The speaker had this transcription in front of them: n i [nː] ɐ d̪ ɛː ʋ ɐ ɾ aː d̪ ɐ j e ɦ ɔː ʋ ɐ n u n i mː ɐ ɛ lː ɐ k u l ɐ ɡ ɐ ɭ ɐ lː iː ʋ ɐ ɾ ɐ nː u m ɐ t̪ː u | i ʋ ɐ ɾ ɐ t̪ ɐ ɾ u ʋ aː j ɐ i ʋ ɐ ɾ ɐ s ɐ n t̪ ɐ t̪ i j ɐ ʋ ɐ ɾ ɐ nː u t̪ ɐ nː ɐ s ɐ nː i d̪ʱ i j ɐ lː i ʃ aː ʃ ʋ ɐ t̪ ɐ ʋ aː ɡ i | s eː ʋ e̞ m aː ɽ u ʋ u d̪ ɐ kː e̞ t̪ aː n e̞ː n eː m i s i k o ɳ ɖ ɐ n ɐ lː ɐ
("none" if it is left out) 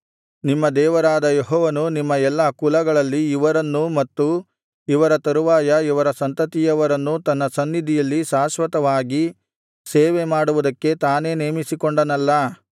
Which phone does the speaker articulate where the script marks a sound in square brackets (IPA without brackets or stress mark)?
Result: mː